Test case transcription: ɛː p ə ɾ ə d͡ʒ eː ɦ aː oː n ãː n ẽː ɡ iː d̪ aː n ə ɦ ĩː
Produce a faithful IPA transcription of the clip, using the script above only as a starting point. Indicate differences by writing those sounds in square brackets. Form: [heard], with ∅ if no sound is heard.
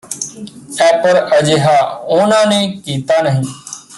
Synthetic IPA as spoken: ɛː p ə ɾ ə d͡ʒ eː ɦ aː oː n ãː n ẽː [k] iː [t̪] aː n ə ɦ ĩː